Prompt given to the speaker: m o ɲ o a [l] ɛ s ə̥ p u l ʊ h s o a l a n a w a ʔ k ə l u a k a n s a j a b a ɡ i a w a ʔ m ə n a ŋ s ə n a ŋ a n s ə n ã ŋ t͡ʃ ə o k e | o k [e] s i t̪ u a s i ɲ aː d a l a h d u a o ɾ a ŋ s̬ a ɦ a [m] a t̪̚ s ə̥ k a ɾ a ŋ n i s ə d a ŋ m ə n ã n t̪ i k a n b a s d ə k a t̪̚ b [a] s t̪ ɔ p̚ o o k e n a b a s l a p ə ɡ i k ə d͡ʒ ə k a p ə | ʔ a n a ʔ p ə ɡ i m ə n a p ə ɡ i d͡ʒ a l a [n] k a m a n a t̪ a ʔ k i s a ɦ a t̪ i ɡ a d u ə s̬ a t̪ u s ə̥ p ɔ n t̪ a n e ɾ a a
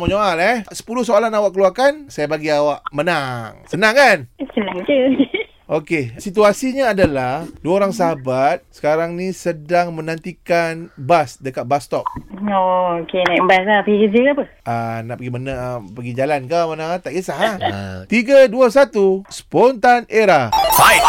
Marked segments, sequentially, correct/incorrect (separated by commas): correct, correct, incorrect, correct, correct